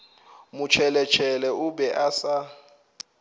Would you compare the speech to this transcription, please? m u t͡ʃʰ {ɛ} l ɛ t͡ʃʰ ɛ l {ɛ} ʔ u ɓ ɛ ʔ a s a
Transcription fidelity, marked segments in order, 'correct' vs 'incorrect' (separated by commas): correct, correct